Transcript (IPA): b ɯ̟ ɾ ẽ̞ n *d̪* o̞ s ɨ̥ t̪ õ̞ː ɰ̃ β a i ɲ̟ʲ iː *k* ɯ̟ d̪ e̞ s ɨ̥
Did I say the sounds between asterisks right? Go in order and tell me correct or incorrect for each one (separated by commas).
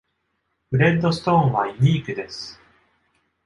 correct, correct